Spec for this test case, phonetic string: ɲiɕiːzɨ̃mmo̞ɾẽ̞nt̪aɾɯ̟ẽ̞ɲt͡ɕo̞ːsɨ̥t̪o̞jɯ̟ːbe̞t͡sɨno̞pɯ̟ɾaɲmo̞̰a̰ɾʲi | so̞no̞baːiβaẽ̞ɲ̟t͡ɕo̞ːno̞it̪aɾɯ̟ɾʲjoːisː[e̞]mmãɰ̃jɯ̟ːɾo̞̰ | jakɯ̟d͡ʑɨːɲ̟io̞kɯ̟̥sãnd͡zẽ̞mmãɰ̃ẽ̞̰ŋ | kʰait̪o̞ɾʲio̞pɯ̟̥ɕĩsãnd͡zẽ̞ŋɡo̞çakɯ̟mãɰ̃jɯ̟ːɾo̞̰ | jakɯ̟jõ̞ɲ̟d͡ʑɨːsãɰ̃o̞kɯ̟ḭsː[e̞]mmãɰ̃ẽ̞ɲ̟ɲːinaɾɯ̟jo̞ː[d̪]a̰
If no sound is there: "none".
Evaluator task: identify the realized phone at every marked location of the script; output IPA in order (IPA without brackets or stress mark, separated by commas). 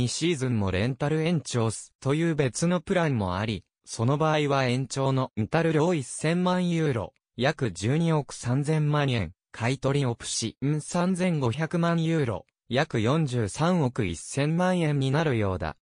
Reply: ẽ̞, ẽ̞, d̪